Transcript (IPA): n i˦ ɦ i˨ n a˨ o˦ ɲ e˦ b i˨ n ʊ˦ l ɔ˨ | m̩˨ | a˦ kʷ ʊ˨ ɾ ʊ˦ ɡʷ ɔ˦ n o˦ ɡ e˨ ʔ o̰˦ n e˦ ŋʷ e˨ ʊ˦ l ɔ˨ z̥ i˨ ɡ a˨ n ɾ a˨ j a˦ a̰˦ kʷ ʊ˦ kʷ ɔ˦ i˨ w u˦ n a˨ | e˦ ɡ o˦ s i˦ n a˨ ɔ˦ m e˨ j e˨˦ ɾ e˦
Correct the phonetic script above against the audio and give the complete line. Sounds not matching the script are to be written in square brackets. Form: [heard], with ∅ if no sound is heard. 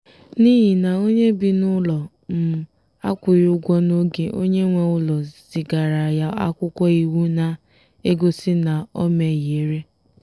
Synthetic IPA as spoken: n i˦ ɦ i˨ n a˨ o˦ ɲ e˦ b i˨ n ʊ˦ l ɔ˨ | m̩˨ | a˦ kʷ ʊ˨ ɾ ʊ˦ ɡʷ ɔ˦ n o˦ ɡ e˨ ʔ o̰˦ [ɲ] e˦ ŋʷ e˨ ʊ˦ l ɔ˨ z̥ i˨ ɡ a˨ [∅] ɾ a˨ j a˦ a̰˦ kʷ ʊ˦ kʷ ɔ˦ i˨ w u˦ n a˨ | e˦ ɡ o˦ s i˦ n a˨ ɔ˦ m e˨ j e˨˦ ɾ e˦